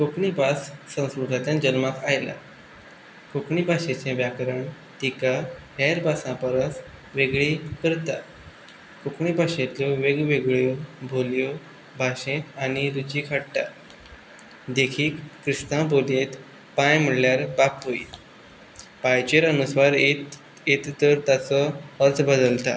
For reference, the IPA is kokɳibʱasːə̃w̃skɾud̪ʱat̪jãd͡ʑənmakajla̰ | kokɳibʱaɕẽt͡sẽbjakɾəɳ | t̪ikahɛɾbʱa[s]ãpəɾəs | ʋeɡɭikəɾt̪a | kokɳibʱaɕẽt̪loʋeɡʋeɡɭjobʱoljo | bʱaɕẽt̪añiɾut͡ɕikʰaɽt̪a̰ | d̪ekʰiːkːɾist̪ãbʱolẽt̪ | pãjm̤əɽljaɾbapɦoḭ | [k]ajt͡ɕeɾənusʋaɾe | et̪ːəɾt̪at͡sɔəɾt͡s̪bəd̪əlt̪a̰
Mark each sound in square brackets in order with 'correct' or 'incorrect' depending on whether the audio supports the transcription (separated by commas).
correct, incorrect